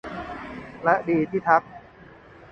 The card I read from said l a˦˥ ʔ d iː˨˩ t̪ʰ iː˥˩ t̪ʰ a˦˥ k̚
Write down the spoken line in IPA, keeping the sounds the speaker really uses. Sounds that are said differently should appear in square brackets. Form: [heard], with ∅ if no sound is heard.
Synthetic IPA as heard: l [ɛ˦˥] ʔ d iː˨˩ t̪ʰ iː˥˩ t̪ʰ a˦˥ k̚